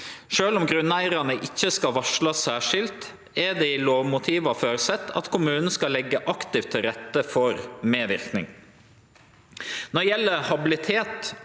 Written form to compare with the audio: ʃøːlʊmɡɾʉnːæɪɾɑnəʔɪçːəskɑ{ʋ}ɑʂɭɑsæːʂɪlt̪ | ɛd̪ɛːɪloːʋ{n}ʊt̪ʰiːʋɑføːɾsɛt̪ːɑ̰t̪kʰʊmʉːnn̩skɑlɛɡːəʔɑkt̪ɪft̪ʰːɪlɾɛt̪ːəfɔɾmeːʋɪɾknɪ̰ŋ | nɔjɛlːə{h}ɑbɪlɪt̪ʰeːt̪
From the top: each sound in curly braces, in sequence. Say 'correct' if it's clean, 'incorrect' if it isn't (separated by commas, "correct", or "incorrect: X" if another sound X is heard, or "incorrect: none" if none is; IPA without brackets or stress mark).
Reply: correct, incorrect: m, correct